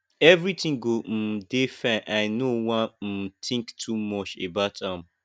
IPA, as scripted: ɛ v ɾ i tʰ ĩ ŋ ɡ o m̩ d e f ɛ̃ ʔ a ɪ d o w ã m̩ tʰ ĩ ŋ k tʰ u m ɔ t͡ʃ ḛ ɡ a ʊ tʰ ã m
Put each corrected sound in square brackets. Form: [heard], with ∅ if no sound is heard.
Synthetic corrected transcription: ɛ v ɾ i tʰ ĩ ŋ ɡ o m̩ d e f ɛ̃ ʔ a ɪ [n] o w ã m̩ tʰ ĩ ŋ k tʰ u m ɔ t͡ʃ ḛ [b] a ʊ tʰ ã m